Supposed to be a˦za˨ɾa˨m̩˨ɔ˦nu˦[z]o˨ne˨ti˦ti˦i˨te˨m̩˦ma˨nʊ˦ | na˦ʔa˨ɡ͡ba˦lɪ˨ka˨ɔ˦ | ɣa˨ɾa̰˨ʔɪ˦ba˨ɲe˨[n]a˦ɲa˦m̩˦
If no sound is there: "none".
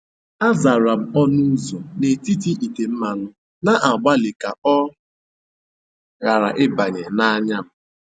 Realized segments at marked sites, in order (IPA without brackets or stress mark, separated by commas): z, n